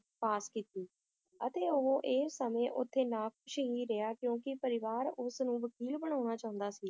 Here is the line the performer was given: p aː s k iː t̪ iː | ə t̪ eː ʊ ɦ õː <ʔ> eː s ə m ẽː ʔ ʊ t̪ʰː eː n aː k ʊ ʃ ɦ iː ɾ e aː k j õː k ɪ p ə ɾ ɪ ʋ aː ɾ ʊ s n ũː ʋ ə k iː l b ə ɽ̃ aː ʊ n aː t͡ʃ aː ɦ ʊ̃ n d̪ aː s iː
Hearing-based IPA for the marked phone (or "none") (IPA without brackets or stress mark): ʔ